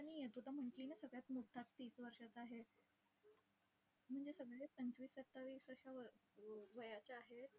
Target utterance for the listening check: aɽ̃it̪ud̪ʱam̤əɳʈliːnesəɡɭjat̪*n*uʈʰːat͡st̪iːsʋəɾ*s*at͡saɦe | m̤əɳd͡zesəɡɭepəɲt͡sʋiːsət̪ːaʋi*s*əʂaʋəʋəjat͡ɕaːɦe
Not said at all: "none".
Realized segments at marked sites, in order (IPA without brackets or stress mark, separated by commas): m, ʂ, s